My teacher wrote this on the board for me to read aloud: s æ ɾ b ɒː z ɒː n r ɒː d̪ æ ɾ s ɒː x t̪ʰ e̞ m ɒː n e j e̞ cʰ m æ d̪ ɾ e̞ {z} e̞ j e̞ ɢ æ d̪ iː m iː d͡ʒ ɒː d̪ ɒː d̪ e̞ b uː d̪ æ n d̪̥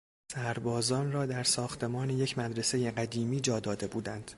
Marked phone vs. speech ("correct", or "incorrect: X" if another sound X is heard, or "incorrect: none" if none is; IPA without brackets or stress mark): incorrect: s